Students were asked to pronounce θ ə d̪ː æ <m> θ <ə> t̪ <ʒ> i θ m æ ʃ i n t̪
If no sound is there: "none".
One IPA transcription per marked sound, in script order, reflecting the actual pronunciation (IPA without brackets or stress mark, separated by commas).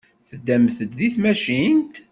m, ə, ð